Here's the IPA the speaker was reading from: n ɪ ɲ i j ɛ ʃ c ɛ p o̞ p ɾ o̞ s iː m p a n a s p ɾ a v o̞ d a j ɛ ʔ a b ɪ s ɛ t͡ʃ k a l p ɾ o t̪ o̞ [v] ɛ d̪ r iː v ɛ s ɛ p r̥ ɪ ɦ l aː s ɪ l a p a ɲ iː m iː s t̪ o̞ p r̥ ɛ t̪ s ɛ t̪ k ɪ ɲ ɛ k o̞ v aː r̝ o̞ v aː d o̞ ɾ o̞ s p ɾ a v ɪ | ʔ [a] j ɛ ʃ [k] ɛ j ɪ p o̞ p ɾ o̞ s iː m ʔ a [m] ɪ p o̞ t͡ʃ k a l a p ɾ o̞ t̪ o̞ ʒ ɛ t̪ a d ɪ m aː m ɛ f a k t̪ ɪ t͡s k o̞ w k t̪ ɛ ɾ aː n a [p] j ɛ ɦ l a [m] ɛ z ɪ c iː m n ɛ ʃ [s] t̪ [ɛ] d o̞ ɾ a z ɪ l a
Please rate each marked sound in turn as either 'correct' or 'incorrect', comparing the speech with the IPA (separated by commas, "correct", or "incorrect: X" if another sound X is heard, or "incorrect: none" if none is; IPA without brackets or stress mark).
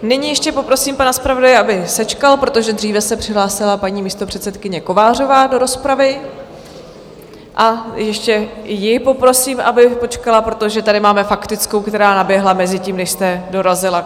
incorrect: ʒ, correct, incorrect: c, incorrect: b, incorrect: b, correct, correct, correct